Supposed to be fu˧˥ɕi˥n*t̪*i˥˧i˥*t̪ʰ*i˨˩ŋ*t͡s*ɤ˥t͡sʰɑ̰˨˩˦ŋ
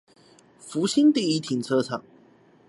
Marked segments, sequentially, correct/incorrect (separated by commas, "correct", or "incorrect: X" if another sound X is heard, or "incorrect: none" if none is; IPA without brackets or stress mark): correct, correct, incorrect: t͡sʰ